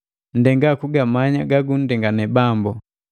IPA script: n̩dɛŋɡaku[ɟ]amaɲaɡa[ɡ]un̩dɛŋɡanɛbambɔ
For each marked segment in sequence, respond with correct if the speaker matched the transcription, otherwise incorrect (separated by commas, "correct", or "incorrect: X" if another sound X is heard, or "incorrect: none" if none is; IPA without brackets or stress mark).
incorrect: ɡ, correct